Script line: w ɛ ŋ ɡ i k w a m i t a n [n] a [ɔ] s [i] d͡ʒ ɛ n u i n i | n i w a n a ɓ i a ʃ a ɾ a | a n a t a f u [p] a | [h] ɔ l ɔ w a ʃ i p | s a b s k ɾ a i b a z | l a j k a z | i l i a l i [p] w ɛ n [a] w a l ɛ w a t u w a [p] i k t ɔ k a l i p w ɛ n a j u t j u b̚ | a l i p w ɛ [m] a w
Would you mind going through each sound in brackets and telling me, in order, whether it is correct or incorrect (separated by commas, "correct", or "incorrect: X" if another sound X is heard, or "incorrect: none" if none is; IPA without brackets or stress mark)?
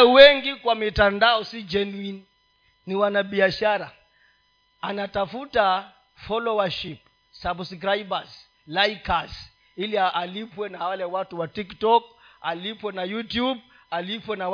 incorrect: d, correct, correct, incorrect: t, incorrect: f, correct, correct, incorrect: t, incorrect: n